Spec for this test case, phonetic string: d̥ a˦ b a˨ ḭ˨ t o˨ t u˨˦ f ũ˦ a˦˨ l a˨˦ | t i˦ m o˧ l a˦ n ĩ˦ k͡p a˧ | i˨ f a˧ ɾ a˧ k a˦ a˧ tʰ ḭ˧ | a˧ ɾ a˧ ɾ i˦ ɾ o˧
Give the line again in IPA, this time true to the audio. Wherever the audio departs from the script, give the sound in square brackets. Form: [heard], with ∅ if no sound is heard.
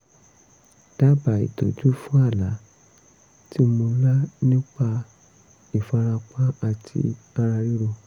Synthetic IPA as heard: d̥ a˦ b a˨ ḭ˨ t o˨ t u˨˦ f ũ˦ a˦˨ l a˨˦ | t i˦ m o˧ l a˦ n ĩ˦ k͡p a˧ | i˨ f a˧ ɾ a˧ [k͡p] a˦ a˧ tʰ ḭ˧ | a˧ ɾ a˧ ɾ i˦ ɾ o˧